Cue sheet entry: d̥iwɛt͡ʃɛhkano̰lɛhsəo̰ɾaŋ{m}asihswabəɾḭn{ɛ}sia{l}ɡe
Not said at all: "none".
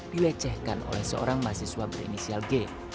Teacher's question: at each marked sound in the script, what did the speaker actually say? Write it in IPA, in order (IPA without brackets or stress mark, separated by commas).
m, i, l